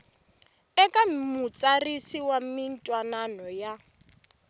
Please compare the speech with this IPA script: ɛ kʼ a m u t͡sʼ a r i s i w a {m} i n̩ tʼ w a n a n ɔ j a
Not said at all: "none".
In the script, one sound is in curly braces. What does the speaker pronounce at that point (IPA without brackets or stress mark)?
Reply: m